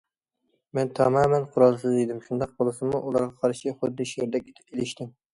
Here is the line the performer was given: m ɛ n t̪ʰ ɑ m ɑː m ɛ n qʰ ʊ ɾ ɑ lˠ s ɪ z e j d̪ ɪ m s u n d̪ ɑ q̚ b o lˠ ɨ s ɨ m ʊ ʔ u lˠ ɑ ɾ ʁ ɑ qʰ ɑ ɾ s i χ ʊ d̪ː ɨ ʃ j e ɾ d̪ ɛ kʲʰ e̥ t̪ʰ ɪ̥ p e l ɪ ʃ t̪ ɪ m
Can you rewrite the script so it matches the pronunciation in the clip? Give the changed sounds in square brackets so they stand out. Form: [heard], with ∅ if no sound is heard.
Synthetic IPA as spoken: m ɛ n t̪ʰ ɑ m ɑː m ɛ n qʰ ʊ ɾ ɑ lˠ s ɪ z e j d̪ ɪ m [ʃ] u n d̪ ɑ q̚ b o lˠ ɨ s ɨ m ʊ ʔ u lˠ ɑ ɾ ʁ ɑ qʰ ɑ ɾ [ʃ] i χ ʊ d̪ː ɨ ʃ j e ɾ d̪ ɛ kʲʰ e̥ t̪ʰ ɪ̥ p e l ɪ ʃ t̪ ɪ m

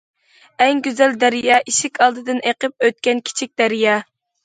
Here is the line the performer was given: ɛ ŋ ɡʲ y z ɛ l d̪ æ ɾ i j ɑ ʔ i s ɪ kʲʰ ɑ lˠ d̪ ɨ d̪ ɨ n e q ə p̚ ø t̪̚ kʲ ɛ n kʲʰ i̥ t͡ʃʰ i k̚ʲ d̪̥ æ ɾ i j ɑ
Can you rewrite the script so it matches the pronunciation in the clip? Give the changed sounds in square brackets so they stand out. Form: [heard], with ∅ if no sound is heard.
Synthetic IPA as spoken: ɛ ŋ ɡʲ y z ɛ l d̪ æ ɾ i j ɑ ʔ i [ʃ] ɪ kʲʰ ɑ lˠ d̪ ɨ d̪ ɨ n e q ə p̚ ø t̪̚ kʲ ɛ n kʲʰ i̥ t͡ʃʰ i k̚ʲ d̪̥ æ ɾ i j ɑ

